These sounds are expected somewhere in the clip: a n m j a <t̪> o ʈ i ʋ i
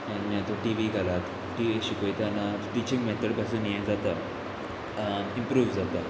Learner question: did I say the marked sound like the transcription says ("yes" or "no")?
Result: yes